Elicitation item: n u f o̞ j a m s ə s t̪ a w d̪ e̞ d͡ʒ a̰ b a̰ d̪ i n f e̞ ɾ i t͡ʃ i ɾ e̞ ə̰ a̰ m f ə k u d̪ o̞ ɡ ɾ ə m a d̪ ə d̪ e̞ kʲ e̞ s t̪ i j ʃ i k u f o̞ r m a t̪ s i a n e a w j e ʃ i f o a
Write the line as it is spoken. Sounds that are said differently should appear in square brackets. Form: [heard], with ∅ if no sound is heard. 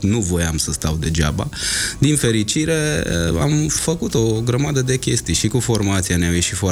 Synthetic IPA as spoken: n u [v] o̞ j a m s ə s t̪ a w d̪ e̞ d͡ʒ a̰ b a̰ d̪ i n f e̞ ɾ i t͡ʃ i ɾ e̞ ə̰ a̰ m f ə k u [t̪] o̞ ɡ ɾ ə m a d̪ ə d̪ e̞ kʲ e̞ s t̪ i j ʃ i k u f o̞ r m a t̪ s i a n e a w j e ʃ i f o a